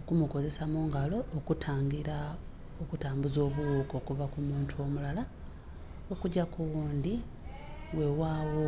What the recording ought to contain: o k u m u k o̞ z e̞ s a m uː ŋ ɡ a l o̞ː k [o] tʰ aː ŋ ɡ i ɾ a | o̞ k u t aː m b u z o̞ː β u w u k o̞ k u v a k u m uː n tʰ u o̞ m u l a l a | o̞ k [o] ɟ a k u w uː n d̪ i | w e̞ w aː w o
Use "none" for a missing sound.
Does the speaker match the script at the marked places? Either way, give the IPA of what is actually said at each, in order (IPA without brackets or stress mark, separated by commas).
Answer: u, u